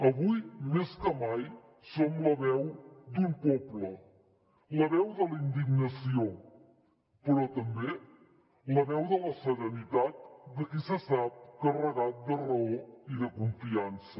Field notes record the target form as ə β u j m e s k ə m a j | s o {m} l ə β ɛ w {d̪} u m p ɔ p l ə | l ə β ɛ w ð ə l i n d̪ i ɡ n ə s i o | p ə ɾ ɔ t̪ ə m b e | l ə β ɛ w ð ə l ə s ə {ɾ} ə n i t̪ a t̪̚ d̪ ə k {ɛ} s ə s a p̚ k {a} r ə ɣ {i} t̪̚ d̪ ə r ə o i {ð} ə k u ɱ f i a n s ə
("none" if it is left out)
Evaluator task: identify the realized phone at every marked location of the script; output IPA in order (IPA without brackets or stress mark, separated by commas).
m, d̪, ɾ, i, ə, a, ð